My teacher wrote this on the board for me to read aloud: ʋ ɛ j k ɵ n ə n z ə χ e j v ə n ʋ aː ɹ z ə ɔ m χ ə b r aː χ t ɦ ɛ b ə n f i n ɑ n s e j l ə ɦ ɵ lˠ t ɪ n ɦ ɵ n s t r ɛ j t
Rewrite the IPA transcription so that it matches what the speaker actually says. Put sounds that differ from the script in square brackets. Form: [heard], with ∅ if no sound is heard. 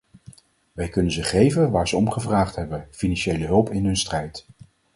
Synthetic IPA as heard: ʋ ɛ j k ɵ n ə n z ə χ e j v ə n ʋ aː ɹ z ə ɔ m χ ə [v] r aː χ t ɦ ɛ b ə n f i n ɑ n [ʃ] e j l ə ɦ ɵ lˠ [p] ɪ n ɦ ɵ n s t r ɛ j t